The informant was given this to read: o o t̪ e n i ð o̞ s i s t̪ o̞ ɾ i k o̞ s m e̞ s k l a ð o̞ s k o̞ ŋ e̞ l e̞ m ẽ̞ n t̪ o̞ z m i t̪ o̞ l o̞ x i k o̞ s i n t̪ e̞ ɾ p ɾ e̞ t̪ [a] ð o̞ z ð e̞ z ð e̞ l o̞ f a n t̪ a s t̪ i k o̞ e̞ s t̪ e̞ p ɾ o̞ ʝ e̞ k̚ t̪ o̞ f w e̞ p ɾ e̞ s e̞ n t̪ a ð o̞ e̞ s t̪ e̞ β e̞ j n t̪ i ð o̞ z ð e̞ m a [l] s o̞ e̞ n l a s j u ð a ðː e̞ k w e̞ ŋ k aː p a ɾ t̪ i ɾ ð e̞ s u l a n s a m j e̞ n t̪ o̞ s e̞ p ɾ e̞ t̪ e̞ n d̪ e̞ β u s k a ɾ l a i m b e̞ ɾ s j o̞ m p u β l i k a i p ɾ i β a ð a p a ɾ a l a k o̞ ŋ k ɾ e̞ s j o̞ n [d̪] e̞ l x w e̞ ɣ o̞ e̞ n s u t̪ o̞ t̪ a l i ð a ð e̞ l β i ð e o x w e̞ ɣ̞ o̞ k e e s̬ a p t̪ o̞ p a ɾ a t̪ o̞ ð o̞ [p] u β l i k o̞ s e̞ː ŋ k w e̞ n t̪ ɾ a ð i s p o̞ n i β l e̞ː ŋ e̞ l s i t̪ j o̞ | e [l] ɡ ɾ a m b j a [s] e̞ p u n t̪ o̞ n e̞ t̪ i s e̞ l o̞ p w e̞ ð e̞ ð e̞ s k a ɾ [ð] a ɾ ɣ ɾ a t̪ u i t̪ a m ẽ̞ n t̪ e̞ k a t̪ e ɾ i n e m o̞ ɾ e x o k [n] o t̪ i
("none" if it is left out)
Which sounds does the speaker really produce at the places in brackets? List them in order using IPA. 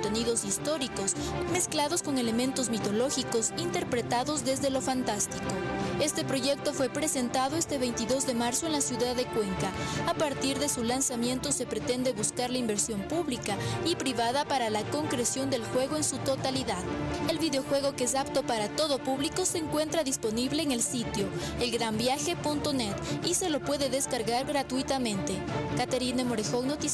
a, ɾ, d̪, p, l, x, ɣ, n

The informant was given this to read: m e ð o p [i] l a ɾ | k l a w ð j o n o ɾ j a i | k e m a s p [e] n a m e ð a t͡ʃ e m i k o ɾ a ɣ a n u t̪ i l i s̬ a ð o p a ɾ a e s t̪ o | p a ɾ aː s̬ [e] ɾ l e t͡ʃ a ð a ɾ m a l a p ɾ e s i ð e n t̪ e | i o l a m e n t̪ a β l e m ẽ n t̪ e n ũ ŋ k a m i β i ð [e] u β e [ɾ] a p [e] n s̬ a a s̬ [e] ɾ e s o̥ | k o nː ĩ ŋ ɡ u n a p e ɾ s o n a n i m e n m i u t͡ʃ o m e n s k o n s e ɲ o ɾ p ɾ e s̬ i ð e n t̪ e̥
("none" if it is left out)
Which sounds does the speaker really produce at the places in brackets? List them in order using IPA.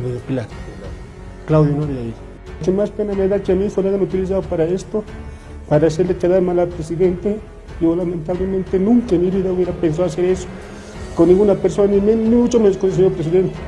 i, e, e, a, ɾ, e, e

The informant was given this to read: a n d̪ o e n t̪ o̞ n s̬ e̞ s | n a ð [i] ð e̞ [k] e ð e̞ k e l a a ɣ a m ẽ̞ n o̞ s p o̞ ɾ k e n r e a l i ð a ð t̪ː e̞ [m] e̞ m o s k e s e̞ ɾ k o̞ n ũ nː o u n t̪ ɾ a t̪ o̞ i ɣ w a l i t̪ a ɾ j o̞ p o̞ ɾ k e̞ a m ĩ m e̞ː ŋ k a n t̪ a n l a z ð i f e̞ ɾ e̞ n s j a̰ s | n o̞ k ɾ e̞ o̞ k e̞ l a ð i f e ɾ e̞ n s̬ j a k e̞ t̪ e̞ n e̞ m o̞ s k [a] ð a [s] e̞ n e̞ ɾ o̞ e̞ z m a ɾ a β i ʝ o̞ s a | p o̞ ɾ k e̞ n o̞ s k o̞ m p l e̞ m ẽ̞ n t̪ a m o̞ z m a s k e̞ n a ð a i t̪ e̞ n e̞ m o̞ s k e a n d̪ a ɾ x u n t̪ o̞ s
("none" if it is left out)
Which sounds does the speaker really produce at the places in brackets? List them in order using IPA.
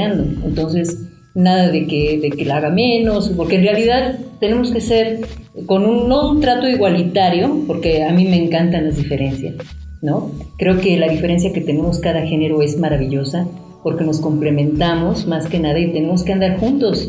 a, k, n, a, x

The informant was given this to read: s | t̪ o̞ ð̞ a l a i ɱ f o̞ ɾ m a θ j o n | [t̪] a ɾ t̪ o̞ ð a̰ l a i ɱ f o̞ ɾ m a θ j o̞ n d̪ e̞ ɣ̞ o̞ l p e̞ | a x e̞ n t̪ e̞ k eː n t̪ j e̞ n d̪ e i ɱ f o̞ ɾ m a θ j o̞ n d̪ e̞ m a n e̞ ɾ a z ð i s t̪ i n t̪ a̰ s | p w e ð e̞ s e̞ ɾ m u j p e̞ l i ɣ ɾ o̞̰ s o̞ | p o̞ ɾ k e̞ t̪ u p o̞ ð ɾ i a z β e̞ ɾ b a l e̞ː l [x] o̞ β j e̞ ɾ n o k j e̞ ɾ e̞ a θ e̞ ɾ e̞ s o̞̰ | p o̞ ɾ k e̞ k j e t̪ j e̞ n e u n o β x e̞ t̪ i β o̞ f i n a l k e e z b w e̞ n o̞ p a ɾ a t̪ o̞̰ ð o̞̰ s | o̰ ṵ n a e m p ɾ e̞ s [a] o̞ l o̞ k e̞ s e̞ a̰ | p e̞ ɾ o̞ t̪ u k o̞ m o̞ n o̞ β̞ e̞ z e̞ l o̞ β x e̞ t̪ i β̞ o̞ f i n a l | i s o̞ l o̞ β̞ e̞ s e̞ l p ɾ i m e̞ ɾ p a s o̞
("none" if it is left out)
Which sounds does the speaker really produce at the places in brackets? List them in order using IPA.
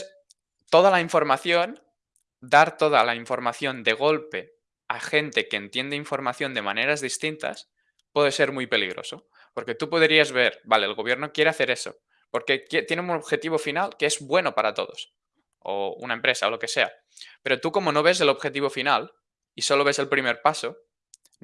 d̪, ɣ, a

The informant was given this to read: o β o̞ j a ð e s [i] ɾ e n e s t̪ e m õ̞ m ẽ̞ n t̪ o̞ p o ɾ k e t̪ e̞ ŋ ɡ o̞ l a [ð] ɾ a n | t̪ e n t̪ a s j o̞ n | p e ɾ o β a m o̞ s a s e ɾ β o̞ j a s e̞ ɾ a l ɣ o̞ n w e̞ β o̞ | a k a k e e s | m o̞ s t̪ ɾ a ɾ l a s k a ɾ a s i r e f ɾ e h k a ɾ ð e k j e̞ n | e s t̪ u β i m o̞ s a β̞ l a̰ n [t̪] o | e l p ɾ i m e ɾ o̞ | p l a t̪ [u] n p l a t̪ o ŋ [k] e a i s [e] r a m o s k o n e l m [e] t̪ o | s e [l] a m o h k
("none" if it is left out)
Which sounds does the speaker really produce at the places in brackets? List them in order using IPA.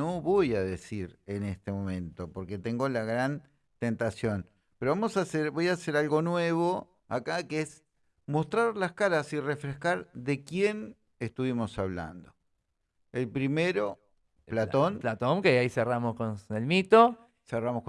i, ɣ, d̪, o, k, e, i, r

